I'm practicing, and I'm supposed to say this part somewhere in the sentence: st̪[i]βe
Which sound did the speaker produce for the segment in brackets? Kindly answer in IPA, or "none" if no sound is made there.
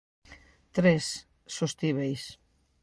i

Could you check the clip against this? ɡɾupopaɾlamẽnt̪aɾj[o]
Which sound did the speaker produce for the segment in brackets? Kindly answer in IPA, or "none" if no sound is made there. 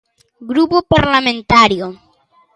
o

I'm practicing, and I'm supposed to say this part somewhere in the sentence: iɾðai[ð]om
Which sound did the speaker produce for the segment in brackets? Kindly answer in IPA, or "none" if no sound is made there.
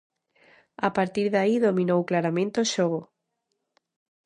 ð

